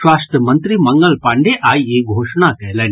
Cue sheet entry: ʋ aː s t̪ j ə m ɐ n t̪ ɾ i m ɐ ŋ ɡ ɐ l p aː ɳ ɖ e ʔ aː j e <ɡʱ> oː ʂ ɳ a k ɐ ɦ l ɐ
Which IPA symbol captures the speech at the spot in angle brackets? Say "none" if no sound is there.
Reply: ɡʱ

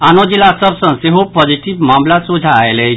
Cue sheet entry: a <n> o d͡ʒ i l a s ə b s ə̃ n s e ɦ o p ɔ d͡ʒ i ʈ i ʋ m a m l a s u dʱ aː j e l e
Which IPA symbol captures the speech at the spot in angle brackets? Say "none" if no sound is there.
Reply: n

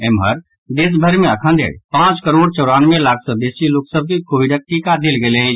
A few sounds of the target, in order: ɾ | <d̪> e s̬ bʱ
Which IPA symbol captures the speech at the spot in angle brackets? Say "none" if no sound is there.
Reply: d̪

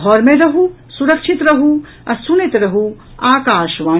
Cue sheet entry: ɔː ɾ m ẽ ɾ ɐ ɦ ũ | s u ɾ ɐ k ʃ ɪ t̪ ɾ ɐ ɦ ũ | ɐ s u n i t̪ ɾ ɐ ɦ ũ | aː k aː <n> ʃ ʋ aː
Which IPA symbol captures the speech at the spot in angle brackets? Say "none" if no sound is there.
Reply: none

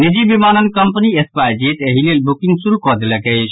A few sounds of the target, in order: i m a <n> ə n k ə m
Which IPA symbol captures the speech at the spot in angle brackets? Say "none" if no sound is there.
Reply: n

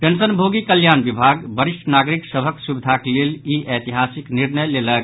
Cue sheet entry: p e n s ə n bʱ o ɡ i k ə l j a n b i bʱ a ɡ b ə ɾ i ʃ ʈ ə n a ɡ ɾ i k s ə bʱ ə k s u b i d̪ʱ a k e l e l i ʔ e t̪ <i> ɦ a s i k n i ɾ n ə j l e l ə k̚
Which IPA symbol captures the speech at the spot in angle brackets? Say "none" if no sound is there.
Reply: i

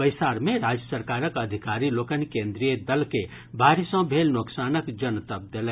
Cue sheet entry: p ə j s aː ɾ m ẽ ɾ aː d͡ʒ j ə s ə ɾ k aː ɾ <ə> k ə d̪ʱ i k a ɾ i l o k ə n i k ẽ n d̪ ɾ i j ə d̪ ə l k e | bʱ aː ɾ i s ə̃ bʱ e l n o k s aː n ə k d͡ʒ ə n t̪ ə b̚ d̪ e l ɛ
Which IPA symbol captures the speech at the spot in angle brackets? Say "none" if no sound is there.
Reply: ə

